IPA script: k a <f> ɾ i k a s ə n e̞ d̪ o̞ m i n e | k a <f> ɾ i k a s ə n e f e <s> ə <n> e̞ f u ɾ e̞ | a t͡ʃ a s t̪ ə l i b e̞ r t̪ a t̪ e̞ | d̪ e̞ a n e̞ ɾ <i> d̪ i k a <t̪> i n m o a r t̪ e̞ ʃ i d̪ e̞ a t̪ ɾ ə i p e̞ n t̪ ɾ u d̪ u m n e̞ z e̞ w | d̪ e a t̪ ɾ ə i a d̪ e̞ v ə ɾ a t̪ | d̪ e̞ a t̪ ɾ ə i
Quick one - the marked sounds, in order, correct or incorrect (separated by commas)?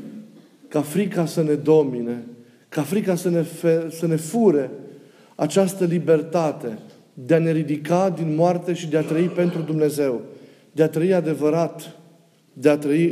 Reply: correct, correct, correct, correct, correct, incorrect